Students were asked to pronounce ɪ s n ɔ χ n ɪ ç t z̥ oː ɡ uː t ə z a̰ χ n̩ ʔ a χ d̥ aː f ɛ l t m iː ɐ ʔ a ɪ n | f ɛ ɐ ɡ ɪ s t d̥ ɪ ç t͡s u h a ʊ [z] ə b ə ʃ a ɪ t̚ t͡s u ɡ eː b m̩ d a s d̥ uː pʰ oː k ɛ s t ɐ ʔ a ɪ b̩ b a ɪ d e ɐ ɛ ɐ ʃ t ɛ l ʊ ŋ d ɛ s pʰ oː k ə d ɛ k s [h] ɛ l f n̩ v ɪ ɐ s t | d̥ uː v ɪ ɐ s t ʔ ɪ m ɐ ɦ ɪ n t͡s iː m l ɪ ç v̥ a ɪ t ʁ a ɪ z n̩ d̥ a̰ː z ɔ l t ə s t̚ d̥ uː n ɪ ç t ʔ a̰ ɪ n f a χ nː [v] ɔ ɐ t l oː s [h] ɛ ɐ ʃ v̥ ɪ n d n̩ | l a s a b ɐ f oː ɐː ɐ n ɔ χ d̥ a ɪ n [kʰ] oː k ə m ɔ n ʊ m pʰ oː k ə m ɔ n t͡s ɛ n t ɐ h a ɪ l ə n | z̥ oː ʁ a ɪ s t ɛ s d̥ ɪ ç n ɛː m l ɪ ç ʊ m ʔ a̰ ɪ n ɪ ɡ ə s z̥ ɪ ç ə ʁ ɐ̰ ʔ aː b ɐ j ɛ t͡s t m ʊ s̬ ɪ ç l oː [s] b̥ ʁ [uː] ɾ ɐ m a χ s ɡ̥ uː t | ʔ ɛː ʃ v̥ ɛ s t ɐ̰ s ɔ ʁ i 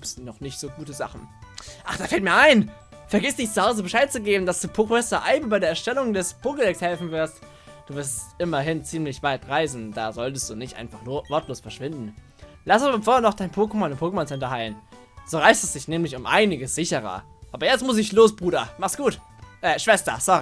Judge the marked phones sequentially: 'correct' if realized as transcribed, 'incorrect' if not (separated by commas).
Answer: correct, correct, correct, incorrect, incorrect, correct, correct